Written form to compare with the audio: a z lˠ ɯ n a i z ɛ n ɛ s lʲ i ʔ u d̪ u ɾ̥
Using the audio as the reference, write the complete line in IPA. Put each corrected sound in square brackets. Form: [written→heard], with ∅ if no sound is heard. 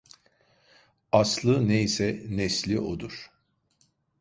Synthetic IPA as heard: a [z→s] lˠ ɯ n [a→e] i [z→s] ɛ n ɛ s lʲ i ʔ [u→o] d̪ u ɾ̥